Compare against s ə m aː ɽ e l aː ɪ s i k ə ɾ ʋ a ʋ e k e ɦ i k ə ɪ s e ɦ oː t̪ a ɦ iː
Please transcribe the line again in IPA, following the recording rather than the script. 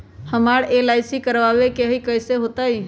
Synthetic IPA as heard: h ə m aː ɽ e l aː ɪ s i k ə ɾ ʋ a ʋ e k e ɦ i k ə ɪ s e ɦ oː t̪ a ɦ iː